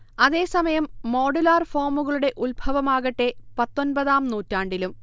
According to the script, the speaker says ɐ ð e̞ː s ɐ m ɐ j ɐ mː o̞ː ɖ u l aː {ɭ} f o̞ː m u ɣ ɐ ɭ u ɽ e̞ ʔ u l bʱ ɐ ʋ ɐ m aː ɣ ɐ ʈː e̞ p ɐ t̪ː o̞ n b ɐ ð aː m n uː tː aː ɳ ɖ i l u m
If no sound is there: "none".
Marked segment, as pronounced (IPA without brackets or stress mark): r